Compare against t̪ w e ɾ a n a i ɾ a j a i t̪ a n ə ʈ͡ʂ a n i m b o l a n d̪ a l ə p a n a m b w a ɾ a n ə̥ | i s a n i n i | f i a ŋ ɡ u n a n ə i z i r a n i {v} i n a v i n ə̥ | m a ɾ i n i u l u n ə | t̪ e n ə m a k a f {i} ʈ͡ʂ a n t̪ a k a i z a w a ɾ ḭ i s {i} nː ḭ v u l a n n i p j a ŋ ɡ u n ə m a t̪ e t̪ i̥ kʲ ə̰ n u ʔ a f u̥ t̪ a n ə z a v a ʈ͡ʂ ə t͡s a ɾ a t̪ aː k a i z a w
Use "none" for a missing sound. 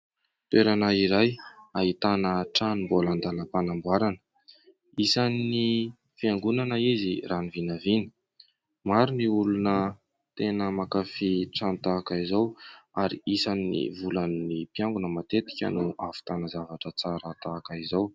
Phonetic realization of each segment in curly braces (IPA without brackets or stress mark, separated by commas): v, i, a